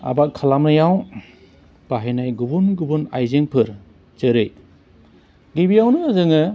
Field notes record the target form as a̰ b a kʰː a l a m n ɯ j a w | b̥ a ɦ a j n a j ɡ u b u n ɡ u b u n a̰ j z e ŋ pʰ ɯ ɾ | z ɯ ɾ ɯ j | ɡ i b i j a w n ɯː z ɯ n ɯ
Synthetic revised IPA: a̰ b a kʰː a l a m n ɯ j a w | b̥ a ɦ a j n a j ɡ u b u n ɡ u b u n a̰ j z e ŋ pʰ ɯ ɾ | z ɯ ɾ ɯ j | ɡ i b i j a w n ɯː z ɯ ŋ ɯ

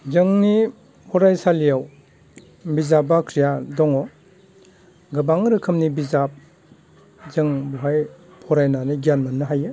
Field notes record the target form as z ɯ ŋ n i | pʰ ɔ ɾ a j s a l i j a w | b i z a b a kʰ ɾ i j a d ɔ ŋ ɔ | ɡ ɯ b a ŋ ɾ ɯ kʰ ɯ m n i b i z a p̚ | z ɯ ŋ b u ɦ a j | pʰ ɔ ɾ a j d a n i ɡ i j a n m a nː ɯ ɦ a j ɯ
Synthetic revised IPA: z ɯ ŋ n i | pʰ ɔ ɾ a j s a l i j a w | b i z a b a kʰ ɾ i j a d ɔ ŋ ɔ | ɡ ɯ b a ŋ ɾ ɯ kʰ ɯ m n i b i z a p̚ | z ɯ ŋ b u ɦ a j | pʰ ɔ ɾ a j n a n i ɡ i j a n m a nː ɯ ɦ a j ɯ

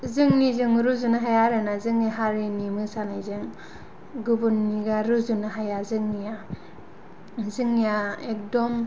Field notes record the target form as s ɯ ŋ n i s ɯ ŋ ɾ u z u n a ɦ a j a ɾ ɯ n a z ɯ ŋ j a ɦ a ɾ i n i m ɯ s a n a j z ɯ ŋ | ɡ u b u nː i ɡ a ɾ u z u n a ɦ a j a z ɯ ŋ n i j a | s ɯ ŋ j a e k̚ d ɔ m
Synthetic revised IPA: z ɯ ŋ n i z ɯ ŋ ɾ u z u n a ɦ a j a ɾ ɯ n a z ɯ ŋ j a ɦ a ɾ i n i m ɯ s a n a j z ɯ ŋ | ɡ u b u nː i ɡ a ɾ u z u n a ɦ a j a z ɯ ŋ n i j a | z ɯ ŋ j a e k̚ d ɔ m

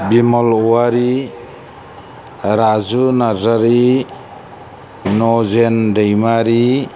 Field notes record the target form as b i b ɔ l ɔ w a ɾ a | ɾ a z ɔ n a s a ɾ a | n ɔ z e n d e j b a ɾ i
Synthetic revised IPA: b i m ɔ l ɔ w a ɾ i | ɾ a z u n a z a ɾ i | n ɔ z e n d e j m a ɾ i

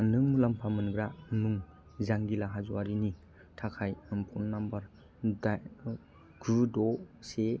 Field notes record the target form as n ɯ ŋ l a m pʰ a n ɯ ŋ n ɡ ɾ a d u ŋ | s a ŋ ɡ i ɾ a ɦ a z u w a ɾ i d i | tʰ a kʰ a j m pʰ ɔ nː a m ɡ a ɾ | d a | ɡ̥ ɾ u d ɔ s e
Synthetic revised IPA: n ɯ ŋ l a m pʰ a m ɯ n ɡ ɾ a n u ŋ | z a ŋ ɡ i l a ɦ a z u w a ɾ i n i | tʰ a kʰ a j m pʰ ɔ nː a m b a ɾ | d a | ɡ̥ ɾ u d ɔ s e

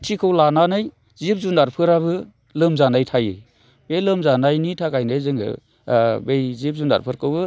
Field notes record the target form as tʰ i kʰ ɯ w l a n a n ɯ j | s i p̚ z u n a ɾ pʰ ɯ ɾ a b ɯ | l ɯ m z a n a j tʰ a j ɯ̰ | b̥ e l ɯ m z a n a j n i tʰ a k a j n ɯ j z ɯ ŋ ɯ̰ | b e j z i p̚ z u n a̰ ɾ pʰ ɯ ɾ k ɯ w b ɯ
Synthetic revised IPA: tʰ i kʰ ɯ w l a n a n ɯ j | z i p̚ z u n a ɾ pʰ ɯ ɾ a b ɯ | l ɯ m z a n a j tʰ a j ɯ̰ | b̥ e l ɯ m z a n a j n i tʰ a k a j n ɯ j z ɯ ŋ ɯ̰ | b e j z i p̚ z u n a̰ ɾ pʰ ɯ ɾ k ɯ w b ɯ

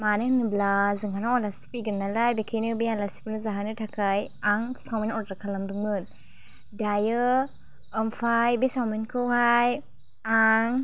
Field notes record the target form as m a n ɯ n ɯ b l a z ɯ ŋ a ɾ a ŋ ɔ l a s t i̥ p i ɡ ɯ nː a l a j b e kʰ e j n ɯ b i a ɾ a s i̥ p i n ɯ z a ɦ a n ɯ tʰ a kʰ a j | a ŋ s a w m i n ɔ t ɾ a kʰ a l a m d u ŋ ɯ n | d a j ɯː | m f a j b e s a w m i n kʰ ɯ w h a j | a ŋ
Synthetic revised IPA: m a n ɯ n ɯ b l a z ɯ ŋ a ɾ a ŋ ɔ l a s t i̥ p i ɡ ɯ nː a l a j b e kʰ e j n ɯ b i a l a s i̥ p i n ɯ z a ɦ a n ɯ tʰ a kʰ a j | a ŋ s a w m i n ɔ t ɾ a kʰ a l a m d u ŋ ɯ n | d a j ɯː | m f a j b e s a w m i n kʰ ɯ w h a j | a ŋ

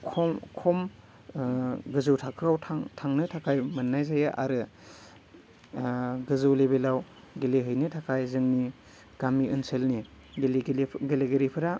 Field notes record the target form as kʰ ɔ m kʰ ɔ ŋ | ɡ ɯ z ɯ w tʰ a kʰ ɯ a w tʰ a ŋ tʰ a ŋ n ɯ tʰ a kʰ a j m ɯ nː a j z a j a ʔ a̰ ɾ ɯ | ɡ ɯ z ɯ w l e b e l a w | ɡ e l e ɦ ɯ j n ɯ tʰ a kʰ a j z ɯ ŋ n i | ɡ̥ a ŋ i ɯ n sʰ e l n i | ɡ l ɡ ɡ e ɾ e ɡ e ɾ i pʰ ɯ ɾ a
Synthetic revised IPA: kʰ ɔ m kʰ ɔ m | ɡ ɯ z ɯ w tʰ a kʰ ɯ a w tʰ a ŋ tʰ a ŋ n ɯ tʰ a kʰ a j m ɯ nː a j z a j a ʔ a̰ ɾ ɯ | ɡ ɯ z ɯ w l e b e l a w | ɡ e l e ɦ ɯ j n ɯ tʰ a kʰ a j z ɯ ŋ n i | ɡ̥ a m i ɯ n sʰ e l n i | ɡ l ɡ ɡ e l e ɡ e ɾ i pʰ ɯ ɾ a

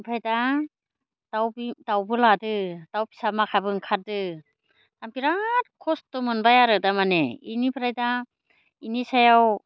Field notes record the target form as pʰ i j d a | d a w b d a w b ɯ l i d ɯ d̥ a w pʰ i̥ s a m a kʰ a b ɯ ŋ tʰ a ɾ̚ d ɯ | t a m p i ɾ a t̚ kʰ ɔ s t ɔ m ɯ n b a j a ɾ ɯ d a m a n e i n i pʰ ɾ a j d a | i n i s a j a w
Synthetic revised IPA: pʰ a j d a | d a w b d a w b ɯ l a d ɯ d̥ a w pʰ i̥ s a m a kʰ a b ɯ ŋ kʰ a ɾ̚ d ɯ | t a m p i ɾ a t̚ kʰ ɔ s t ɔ m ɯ n b a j a ɾ ɯ d a m a n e i n i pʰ ɾ a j d a | i n i s a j a w

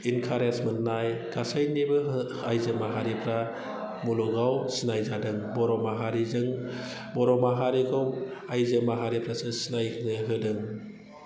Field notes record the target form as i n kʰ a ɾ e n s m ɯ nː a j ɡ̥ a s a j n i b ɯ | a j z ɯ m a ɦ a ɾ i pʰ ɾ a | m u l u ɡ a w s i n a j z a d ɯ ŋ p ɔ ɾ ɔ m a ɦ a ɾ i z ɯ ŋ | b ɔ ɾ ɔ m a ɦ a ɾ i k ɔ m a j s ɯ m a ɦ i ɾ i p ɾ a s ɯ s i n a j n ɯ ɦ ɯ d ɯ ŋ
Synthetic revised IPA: i n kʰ a ɾ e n s m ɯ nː a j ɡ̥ a s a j n i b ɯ | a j z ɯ m a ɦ a ɾ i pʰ ɾ a | m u l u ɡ a w s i n a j z a d ɯ ŋ b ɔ ɾ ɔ m a ɦ a ɾ i z ɯ ŋ | b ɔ ɾ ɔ m a ɦ a ɾ i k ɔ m a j z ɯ m a ɦ a ɾ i p ɾ a s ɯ s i n a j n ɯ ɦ ɯ d ɯ ŋ

